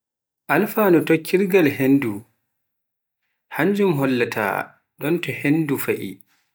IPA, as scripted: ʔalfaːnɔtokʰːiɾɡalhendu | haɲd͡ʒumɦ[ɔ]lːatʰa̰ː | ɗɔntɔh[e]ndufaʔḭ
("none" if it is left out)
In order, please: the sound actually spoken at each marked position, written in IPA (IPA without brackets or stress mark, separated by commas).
ɔ, e